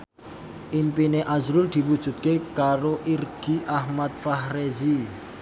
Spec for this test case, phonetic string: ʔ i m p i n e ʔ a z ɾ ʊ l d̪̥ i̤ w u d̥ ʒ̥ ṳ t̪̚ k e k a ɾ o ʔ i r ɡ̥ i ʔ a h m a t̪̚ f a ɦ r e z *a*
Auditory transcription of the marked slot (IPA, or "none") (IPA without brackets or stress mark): i